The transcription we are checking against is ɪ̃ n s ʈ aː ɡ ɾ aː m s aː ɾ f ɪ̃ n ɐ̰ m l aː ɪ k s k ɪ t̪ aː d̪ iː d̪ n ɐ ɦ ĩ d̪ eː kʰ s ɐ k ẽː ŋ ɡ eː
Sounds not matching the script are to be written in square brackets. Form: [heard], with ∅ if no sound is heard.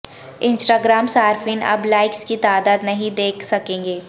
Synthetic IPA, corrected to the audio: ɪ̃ n s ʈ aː ɡ ɾ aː m s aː ɾ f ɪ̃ n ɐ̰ [b] l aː ɪ k s k [i] t̪ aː d̪ [aː] d̪ n ɐ ɦ ĩ d̪ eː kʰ s ɐ k ẽː ŋ ɡ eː

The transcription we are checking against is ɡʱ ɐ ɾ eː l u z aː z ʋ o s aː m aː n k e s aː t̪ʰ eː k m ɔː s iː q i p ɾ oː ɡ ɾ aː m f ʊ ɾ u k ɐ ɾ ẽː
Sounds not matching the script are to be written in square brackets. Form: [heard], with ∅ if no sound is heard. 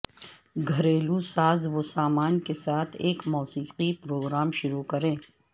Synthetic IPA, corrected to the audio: ɡʱ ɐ ɾ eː l u [s] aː z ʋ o s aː m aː n k e s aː t̪ʰ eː k m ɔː s iː q i p ɾ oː ɡ ɾ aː m [ʃ] ʊ ɾ u k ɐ ɾ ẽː

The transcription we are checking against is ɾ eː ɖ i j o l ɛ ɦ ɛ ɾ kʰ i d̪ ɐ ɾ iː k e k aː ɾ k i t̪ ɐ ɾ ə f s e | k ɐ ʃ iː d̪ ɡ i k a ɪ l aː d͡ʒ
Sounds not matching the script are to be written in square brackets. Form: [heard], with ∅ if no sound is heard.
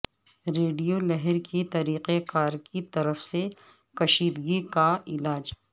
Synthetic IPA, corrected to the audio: ɾ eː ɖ i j o l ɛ ɦ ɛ ɾ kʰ i [t̪] ɐ ɾ iː [q] e k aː ɾ k i t̪ ɐ ɾ ə f s e | k ɐ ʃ iː d̪ ɡ i k a ɪ l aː d͡ʒ

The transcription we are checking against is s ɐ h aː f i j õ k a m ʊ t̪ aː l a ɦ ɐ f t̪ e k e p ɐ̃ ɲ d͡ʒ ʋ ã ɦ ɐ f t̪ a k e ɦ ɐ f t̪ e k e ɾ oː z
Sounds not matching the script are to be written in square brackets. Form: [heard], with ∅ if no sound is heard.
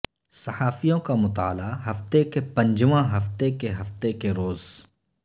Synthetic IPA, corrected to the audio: s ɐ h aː f i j õ k a m ʊ t̪ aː l a ɦ ɐ f t̪ e k e p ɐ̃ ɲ d͡ʒ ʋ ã ɦ ɐ f t̪ [e] k e ɦ ɐ f t̪ e k e ɾ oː z

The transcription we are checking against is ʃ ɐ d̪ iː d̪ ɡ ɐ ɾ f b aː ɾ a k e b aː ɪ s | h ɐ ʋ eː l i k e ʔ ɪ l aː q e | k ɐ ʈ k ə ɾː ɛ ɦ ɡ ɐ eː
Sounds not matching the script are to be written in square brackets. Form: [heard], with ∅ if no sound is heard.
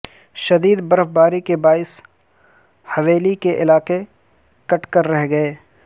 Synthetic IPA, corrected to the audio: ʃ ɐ d̪ iː d̪ [b] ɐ ɾ f b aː ɾ [i] k e b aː ɪ s | h ɐ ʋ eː l i k e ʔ ɪ l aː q e | k ɐ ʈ k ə ɾː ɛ ɦ ɡ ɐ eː

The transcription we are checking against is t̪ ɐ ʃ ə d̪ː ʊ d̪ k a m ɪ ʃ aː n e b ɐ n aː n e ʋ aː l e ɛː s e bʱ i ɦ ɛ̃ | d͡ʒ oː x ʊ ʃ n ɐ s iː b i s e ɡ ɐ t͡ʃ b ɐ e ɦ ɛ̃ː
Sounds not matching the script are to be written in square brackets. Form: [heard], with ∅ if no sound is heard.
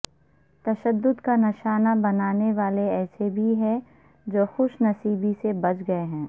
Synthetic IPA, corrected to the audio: t̪ ɐ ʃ ə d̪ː ʊ d̪ k a [n] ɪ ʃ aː n [a] b ɐ n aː n e ʋ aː l e ɛː s e bʱ i ɦ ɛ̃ | d͡ʒ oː x ʊ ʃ n ɐ s iː b i s e [b] ɐ t͡ʃ [ɡ] ɐ e ɦ ɛ̃ː

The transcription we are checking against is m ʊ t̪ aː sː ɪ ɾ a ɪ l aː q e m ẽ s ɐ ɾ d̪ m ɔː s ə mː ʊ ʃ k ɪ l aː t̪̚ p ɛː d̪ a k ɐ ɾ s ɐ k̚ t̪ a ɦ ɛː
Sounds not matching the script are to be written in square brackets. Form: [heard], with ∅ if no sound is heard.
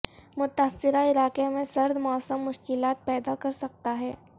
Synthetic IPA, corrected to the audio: m ʊ t̪ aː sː ɪ ɾ a ɪ l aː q e m ẽ s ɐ ɾ d̪ m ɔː s ə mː ʊ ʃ k ɪ l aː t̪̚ p ɛː d̪ a k ɐ ɾ s ɐ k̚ t̪ a ɦ ɛː

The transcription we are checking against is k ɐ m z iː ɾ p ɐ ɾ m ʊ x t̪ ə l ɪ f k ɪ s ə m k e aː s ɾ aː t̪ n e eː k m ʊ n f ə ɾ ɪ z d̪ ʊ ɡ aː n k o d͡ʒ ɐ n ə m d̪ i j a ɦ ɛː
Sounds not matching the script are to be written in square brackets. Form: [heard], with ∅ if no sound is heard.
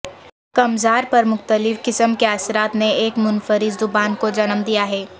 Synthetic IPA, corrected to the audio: k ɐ m z [aː] ɾ p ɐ ɾ m ʊ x t̪ ə l ɪ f k ɪ s ə m k e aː s ɾ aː t̪ n e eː k m ʊ n f ə ɾ ɪ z d̪ ʊ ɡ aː n k o d͡ʒ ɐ n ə m d̪ i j a ɦ ɛː

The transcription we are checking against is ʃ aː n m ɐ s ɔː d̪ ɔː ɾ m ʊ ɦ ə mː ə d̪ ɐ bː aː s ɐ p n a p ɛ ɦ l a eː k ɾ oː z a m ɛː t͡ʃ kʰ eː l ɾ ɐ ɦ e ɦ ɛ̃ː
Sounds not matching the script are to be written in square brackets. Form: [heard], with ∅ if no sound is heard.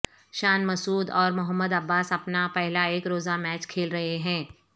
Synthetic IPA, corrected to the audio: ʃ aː n m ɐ s [uː] d̪ ɔː ɾ m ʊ ɦ ə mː ə d̪ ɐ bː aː s ɐ p n a p ɛ ɦ l a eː k ɾ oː z a m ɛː t͡ʃ kʰ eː l ɾ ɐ ɦ e ɦ ɛ̃ː

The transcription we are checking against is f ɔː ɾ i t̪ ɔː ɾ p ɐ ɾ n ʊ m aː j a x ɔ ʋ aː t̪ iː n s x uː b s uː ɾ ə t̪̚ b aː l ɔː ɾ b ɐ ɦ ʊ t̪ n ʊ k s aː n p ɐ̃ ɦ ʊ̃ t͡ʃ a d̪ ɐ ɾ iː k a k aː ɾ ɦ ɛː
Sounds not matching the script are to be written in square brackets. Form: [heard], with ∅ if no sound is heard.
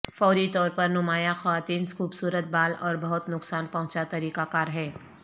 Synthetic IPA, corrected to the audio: f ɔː ɾ i t̪ ɔː ɾ p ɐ ɾ n ʊ m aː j a x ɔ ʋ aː t̪ iː n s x uː b s uː ɾ ə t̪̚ b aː l ɔː ɾ b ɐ ɦ ʊ t̪ n ʊ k s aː n p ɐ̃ ɦ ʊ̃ t͡ʃ a [t̪] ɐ ɾ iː k a k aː ɾ ɦ ɛː

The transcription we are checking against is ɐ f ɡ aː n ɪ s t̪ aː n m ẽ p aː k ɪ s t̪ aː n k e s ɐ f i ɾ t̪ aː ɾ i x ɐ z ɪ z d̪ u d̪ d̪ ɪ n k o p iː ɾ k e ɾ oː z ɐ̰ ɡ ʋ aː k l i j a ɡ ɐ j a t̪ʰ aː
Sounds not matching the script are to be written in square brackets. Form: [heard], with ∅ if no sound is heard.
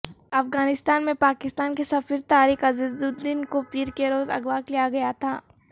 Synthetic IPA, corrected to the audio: ɐ f ɡ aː n ɪ s t̪ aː n m ẽ p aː k ɪ s t̪ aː n k e s ɐ f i ɾ t̪ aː ɾ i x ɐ z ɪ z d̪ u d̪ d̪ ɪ n k o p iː ɾ k e ɾ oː z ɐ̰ ɡ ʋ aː k l i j a ɡ ɐ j a t̪ʰ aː

